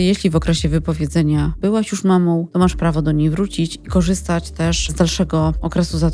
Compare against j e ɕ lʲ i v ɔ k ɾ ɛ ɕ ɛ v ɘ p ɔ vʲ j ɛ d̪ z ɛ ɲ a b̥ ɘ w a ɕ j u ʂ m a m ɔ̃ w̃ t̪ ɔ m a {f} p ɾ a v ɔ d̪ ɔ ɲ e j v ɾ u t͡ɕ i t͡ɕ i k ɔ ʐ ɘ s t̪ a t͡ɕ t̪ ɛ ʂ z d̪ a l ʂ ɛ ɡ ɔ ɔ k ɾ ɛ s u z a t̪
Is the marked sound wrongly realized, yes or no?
yes